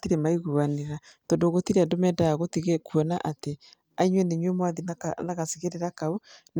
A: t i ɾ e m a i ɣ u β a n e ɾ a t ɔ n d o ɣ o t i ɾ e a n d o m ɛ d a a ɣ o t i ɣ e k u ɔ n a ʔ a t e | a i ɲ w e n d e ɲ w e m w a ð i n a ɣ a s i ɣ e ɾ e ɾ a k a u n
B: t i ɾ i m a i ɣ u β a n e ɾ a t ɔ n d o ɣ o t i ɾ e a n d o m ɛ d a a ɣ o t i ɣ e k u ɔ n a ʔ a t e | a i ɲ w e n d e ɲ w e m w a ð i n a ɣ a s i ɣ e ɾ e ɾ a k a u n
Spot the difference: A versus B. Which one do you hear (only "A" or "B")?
A